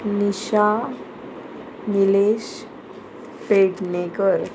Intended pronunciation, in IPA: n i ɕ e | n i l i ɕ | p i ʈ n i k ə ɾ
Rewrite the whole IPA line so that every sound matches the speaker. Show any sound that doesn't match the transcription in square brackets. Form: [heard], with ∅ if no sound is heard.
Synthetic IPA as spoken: n i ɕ [a] | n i l [e] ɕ | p [e] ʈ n [e] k ə ɾ